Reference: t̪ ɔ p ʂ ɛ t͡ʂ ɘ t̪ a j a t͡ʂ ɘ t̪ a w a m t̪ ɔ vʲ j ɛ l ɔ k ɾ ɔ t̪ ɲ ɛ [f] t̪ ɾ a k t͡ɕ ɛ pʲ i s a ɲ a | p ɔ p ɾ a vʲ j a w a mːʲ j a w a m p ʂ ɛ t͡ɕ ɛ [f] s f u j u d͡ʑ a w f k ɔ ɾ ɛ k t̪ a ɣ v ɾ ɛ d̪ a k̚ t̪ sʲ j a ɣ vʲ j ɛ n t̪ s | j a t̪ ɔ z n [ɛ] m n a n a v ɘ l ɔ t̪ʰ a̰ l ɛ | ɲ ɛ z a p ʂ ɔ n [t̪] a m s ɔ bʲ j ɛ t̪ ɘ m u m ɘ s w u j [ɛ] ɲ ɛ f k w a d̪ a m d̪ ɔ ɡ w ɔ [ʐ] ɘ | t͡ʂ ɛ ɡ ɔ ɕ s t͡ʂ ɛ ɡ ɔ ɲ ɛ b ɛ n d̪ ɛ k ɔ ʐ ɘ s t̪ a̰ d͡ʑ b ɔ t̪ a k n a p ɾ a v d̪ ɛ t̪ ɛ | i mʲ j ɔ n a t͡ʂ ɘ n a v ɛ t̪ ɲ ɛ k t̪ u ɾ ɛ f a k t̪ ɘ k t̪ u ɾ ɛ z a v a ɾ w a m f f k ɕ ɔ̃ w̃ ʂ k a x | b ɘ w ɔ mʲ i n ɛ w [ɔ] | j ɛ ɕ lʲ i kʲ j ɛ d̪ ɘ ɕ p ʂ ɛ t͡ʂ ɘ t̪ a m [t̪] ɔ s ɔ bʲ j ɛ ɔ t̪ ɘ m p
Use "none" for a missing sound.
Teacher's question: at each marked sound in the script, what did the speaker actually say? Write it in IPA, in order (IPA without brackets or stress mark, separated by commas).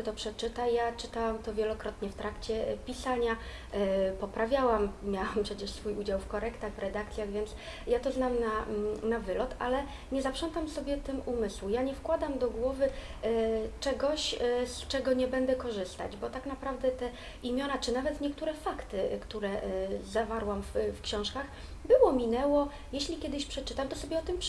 f, ʂ, a, t̪, a, v, ɔ, t̪